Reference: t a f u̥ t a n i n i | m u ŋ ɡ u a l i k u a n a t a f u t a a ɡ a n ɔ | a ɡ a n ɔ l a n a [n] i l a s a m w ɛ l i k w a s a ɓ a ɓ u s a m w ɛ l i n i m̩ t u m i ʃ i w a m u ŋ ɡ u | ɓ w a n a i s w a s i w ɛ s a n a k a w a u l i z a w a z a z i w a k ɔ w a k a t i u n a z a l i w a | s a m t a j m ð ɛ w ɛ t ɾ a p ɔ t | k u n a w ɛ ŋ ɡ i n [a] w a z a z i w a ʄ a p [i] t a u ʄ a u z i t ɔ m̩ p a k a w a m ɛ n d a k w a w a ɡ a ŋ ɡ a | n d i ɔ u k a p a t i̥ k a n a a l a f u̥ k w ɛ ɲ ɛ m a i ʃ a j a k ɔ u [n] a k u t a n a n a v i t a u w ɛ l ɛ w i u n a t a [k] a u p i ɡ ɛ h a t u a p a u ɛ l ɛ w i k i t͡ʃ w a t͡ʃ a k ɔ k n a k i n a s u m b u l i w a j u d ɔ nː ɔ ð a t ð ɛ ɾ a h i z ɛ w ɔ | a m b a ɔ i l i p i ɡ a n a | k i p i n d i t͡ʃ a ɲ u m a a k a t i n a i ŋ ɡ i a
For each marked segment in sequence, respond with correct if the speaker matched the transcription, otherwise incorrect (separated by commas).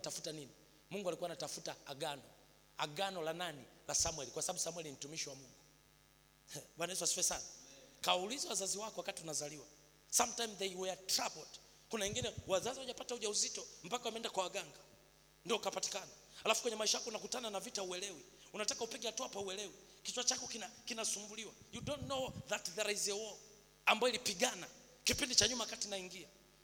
correct, incorrect, incorrect, correct, correct